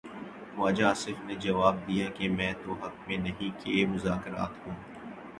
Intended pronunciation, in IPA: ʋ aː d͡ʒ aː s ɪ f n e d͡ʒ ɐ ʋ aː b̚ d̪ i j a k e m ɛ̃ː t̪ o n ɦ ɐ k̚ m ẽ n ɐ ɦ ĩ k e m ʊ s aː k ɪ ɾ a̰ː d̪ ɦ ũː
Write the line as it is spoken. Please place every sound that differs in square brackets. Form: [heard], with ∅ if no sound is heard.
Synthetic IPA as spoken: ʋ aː d͡ʒ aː s ɪ f n e d͡ʒ ɐ ʋ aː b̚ d̪ i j a k e m ɛ̃ː t̪ o [∅] ɦ ɐ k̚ m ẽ n ɐ ɦ ĩ k e m ʊ [z] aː k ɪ ɾ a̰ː [t̪] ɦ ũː